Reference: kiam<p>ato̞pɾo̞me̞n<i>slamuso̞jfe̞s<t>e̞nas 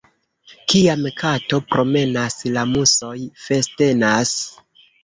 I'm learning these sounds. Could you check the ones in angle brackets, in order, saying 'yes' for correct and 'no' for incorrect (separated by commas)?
no, no, yes